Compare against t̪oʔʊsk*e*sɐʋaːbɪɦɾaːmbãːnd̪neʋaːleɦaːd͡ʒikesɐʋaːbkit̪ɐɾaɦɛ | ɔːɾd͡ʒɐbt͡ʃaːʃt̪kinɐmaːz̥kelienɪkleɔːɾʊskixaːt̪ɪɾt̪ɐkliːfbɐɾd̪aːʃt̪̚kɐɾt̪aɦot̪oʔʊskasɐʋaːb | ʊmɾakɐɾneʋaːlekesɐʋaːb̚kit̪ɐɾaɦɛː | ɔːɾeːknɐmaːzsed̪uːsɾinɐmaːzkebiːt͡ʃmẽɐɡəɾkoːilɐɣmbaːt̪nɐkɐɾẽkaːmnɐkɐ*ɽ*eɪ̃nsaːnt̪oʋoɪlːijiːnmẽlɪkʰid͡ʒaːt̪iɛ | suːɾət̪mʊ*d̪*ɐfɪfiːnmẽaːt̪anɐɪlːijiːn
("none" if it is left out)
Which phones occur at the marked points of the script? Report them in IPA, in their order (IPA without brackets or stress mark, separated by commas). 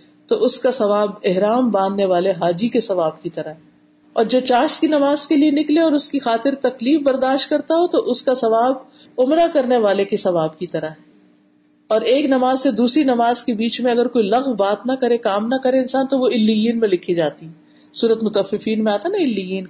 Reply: a, ɾ, t̪